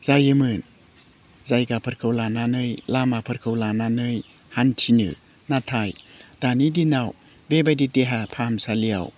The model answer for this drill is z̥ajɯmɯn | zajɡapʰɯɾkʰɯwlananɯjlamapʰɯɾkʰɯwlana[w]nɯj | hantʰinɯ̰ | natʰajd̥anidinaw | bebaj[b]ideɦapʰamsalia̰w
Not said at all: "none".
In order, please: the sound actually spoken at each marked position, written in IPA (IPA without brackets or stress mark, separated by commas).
none, d